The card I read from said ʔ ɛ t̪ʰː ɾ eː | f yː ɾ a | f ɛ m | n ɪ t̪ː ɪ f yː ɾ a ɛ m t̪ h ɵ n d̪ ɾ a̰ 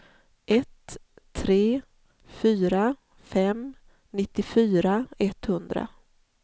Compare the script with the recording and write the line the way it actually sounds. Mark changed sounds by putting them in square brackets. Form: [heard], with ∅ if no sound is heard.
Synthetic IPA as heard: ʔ ɛ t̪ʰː ɾ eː | f yː ɾ a | f ɛ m | n ɪ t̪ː ɪ f yː ɾ a ɛ [∅] t̪ h ɵ n d̪ ɾ a̰